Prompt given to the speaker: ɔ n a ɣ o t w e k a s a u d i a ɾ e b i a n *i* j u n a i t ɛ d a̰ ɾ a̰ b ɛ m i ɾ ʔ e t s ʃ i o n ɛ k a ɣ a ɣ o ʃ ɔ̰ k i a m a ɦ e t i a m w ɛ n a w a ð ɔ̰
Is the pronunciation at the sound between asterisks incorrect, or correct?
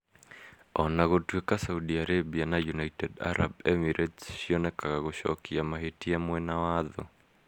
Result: incorrect